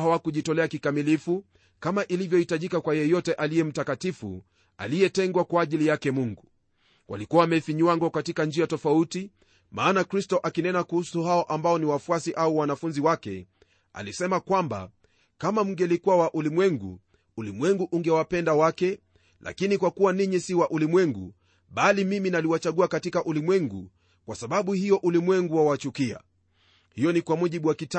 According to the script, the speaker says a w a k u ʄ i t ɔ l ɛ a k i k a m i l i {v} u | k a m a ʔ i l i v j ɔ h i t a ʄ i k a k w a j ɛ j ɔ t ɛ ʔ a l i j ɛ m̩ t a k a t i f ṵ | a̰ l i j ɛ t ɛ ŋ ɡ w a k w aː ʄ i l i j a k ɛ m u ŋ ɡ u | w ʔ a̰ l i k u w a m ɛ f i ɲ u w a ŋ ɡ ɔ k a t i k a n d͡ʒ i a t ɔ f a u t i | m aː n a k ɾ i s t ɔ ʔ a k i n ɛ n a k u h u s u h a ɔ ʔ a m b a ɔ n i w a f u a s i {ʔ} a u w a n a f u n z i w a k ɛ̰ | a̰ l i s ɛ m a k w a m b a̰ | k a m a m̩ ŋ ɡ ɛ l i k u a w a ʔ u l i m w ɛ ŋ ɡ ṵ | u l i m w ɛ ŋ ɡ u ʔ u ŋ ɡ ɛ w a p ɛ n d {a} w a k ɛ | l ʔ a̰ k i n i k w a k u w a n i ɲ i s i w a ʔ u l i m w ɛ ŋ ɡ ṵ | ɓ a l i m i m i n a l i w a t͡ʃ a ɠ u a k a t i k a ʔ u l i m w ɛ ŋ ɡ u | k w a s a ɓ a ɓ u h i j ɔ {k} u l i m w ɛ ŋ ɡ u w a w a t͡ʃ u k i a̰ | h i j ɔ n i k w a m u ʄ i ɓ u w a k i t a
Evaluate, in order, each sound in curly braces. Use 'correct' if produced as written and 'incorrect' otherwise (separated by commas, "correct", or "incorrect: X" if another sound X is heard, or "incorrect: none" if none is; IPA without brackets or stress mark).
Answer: incorrect: f, correct, correct, incorrect: ʔ